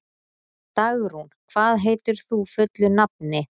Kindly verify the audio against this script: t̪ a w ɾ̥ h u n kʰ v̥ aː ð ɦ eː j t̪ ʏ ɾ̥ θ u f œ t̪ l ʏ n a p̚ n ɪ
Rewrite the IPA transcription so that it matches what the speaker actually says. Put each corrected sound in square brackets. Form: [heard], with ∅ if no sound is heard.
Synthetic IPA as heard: t̪ a [ɣ] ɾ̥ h u n kʰ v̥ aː ð ɦ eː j t̪ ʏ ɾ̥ θ u f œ t̪ l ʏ n a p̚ n ɪ